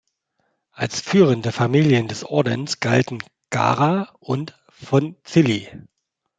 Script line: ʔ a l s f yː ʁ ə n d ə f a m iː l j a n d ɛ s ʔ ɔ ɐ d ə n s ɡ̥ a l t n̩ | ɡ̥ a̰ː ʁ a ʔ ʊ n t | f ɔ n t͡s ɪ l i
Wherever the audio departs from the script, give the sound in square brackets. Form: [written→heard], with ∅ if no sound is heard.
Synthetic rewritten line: ʔ a l s f yː ʁ ə n d ə f a m iː l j [a→ə] n d ɛ s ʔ ɔ ɐ d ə n s ɡ̥ a l t n̩ | ɡ̥ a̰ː ʁ a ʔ ʊ n t | f ɔ n t͡s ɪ l i